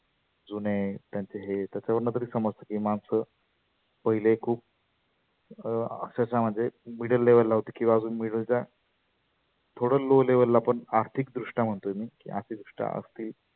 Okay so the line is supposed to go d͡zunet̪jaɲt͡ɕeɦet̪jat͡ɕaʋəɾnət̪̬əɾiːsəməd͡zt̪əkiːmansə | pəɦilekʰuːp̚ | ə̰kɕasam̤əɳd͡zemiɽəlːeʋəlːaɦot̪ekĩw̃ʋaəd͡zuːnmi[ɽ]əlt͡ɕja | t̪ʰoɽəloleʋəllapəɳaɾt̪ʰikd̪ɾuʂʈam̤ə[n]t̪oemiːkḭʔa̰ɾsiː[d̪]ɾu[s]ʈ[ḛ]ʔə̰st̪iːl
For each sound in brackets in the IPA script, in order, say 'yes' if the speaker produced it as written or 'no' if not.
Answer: yes, no, yes, no, no

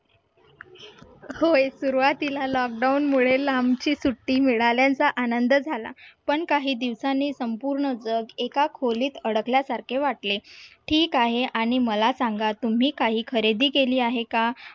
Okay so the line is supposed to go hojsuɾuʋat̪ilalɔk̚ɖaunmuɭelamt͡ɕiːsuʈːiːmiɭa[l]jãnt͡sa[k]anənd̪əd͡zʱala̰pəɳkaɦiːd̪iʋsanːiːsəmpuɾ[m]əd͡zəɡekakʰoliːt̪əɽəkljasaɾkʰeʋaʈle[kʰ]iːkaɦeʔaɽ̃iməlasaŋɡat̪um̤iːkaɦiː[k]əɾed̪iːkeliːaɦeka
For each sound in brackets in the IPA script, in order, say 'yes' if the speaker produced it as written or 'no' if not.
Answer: yes, no, no, no, no

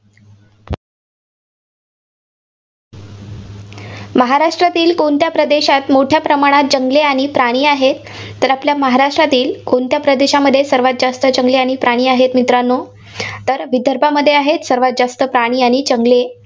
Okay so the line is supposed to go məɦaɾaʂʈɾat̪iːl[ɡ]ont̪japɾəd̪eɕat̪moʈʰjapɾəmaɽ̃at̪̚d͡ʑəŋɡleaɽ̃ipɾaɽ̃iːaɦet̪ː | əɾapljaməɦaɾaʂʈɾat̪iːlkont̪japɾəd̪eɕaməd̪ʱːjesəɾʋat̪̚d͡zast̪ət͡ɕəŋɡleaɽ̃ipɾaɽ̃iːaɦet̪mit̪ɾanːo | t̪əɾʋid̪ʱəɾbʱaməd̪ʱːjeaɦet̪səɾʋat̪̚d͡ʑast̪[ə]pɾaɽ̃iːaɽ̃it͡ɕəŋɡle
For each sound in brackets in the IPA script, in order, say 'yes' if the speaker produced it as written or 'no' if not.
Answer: no, yes

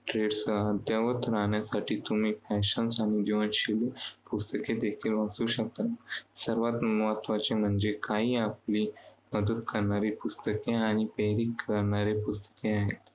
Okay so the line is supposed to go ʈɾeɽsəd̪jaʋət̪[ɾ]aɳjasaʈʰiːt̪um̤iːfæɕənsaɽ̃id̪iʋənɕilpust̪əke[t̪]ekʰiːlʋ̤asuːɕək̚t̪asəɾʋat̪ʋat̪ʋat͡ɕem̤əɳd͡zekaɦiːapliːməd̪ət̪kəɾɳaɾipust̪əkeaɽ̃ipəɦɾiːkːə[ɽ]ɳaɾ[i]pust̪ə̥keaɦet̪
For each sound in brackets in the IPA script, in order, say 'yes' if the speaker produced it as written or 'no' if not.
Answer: yes, no, no, no

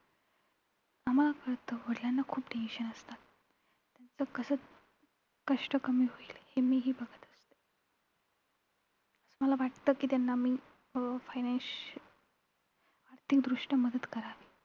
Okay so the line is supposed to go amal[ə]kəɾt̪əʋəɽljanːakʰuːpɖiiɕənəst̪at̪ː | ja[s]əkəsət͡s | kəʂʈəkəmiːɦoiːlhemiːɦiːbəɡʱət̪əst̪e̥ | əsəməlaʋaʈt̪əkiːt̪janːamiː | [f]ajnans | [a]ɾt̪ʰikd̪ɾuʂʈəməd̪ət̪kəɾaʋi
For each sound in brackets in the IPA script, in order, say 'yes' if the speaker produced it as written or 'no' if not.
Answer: no, no, yes, yes

